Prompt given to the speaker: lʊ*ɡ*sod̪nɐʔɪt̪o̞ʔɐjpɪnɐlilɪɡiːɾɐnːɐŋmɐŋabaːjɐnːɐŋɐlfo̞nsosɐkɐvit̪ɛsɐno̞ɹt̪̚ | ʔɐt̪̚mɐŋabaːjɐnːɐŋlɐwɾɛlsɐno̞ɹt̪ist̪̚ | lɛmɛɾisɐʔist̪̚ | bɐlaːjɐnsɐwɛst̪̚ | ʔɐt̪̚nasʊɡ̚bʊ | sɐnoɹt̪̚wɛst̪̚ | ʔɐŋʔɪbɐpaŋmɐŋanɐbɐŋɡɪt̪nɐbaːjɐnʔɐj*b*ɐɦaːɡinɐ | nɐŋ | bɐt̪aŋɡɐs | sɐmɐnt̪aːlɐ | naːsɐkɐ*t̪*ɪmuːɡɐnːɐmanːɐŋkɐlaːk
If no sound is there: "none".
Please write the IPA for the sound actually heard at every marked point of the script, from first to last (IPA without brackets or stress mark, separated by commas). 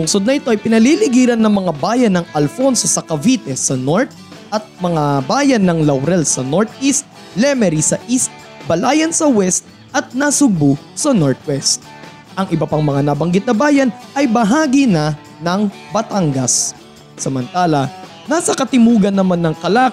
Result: ŋ, b, t̪